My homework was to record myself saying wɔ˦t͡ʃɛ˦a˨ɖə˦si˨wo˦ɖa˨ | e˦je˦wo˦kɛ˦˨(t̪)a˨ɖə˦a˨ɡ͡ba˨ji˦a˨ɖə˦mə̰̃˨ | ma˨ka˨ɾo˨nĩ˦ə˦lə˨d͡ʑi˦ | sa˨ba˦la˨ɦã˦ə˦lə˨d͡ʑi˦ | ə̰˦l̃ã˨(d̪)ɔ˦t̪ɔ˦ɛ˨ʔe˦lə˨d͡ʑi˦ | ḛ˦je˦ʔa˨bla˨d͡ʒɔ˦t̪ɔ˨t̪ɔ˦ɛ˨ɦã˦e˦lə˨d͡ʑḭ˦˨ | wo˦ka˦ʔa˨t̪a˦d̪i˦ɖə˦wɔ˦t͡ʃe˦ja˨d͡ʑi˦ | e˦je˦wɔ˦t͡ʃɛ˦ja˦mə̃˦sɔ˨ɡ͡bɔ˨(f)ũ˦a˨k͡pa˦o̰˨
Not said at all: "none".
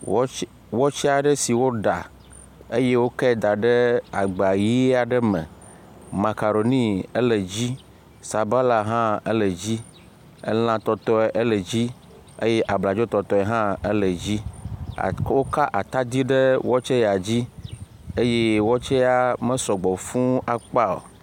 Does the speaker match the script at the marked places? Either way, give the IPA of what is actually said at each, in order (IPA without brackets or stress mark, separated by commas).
d̪, t̪, f